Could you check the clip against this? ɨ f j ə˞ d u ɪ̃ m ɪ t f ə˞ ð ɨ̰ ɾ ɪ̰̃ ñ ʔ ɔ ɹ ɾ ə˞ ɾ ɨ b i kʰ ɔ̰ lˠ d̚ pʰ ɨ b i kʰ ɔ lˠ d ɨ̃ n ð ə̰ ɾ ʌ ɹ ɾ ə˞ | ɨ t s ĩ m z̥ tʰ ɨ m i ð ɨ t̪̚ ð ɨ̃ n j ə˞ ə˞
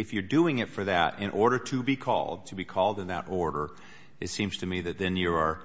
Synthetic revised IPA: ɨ f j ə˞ d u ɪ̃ ŋ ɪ t f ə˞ ð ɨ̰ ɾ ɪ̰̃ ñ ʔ ɔ ɹ ɾ ə˞ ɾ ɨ b i kʰ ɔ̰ lˠ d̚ tʰ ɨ b i kʰ ɔ lˠ d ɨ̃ n ð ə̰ ɾ ɔ ɹ ɾ ə˞ | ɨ t s ĩ m z̥ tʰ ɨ m i ð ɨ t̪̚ ð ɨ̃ n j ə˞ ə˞